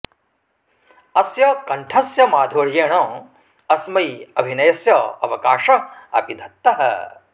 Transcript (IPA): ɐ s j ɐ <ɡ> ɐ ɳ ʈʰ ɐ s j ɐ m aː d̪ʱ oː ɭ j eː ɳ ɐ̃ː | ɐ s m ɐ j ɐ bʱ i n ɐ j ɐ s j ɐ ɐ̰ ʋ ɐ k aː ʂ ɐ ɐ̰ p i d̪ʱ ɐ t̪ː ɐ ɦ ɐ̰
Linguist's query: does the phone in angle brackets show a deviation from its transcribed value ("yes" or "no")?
yes